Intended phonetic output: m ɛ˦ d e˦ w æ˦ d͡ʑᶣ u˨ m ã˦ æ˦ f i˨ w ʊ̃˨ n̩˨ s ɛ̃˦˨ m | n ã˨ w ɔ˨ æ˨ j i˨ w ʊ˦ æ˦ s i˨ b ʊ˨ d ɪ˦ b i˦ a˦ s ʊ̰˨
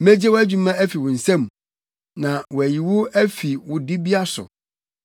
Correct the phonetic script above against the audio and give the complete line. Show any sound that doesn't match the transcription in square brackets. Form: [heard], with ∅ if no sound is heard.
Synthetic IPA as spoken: m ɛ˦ [d͡ʑ] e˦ w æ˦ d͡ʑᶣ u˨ m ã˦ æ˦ f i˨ w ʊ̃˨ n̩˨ s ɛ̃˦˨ m | n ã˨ w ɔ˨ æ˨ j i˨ w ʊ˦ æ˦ [f] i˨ [w] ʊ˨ d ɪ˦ b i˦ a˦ s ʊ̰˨